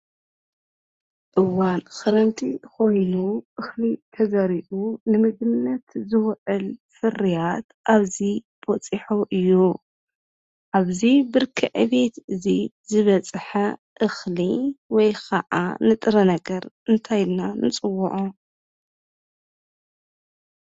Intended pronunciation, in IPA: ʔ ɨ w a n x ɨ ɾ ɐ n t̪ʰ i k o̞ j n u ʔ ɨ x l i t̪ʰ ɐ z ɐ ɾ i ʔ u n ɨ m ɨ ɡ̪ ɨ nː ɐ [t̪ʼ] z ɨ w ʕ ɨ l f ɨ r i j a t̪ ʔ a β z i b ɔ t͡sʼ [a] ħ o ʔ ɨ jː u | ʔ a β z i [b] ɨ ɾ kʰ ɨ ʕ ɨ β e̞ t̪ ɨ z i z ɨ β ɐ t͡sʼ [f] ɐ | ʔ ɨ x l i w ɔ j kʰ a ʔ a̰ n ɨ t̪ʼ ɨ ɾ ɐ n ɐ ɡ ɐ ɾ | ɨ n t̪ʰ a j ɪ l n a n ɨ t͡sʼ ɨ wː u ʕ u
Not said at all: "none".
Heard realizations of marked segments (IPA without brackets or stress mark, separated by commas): t̪, i, b, ħ